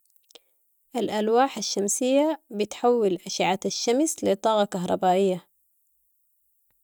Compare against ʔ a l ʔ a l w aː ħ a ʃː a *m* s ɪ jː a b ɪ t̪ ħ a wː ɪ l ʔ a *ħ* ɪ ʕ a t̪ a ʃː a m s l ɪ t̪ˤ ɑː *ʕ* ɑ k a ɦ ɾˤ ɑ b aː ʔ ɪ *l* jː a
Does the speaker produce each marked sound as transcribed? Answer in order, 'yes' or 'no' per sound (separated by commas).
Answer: yes, no, no, no